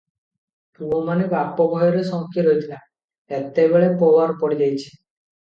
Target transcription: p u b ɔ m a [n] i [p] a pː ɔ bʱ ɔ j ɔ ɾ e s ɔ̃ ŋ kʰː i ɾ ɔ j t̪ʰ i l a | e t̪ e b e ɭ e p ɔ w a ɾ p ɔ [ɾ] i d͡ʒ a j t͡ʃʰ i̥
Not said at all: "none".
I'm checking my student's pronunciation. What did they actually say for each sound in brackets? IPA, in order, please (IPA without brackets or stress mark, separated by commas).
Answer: n, k, ɽ